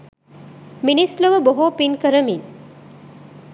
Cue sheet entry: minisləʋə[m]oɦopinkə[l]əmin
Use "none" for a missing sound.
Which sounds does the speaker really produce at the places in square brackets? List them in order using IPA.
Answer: b, ɾ

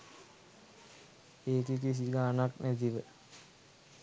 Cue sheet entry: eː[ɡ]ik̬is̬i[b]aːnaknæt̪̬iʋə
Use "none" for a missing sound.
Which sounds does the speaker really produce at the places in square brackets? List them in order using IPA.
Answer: k, ɡ

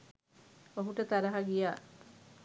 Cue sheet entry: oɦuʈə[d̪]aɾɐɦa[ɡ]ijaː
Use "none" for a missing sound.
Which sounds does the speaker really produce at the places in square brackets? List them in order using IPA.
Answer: t̪, ɡ

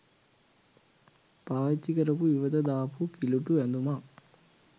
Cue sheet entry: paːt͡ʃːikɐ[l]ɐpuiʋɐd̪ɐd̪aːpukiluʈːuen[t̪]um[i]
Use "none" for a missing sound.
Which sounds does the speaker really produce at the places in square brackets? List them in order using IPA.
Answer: ɾ, d̪, a

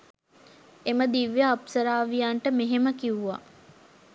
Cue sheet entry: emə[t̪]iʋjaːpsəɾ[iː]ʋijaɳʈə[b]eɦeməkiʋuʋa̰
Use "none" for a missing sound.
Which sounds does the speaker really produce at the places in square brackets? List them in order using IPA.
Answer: d̪, aː, m

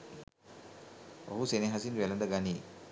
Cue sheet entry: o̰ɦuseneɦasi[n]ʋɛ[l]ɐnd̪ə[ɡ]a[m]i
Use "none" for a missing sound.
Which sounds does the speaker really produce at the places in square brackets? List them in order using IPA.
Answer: n, l, ɡ, n

